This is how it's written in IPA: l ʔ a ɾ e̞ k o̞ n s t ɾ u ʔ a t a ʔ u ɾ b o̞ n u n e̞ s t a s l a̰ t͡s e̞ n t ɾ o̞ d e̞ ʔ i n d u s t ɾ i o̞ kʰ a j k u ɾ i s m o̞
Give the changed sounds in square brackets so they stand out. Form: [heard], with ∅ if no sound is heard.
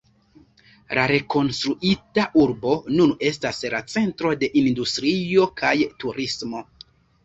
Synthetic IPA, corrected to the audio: l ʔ a ɾ e̞ k o̞ n s t ɾ u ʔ [i] t a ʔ u ɾ b o̞ n u n e̞ s t a s l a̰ t͡s e̞ n t ɾ o̞ d e̞ ʔ i n d u s t ɾ i o̞ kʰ a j [t] u ɾ i s m o̞